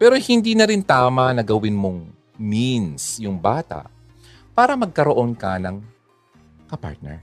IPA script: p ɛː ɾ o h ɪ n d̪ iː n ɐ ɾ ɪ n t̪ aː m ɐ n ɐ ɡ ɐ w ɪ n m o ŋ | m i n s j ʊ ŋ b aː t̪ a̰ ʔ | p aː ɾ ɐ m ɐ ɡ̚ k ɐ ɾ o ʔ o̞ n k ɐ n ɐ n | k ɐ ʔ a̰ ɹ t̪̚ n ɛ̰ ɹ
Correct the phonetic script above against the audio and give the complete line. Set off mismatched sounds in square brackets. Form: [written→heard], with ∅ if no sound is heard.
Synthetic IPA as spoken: p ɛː ɾ o h ɪ n d̪ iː n ɐ ɾ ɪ n t̪ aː m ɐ n ɐ ɡ ɐ w ɪ n m o ŋ | m i n s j ʊ ŋ b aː t̪ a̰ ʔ | p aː ɾ ɐ m ɐ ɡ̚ k ɐ ɾ o ʔ o̞ n k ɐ n ɐ [n→ŋ] | k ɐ [ʔ→p] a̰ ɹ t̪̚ n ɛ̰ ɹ